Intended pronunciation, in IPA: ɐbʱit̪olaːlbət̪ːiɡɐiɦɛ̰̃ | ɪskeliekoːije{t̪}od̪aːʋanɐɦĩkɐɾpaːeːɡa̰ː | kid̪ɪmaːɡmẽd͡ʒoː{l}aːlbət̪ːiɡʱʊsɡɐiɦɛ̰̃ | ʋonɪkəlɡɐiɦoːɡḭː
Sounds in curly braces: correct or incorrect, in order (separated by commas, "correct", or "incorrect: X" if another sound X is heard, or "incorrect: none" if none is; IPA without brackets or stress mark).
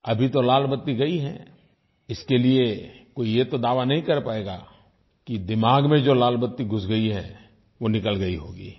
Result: correct, correct